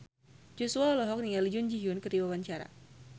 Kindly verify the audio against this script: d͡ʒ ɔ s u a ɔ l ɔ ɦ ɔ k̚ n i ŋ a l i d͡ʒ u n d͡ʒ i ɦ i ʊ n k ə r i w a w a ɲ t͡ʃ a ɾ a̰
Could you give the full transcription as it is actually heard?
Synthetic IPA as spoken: d͡ʒ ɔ s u a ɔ l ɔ ɦ ɔ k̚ n i ŋ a l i d͡ʒ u n d͡ʒ i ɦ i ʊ n k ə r i w a w a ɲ t͡ʃ a ɾ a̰